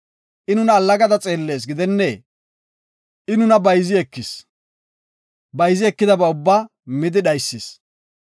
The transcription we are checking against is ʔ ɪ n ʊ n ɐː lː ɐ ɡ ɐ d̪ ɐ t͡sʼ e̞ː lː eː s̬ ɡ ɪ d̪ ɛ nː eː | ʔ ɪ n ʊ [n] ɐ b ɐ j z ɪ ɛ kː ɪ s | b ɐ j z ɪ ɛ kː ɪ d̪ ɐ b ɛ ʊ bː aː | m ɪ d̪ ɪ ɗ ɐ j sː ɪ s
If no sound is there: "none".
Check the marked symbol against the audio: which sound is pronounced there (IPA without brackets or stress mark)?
n